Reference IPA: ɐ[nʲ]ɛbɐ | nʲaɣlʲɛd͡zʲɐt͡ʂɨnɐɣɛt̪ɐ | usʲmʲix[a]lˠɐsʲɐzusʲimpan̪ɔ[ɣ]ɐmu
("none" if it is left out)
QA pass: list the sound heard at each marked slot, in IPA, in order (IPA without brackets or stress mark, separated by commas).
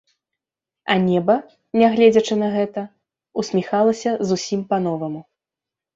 nʲ, a, v